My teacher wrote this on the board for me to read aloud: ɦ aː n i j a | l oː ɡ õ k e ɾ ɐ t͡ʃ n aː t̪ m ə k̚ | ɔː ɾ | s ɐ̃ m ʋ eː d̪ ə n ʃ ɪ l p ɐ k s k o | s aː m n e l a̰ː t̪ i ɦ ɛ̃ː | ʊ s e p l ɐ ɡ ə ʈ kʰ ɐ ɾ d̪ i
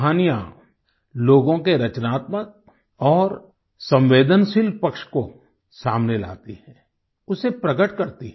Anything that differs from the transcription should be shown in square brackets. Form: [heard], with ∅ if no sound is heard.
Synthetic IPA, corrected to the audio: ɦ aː n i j a | l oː ɡ õ k e ɾ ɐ t͡ʃ n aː t̪ m ə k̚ | ɔː ɾ | s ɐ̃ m ʋ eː d̪ ə n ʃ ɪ l p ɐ k [ʃ] k o | s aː m n e l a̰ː t̪ i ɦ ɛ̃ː | ʊ s e p [ɾ] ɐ ɡ ə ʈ [k] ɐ ɾ [t̪] i